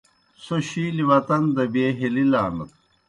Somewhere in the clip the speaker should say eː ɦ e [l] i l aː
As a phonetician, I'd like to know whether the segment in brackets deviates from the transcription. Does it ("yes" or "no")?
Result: no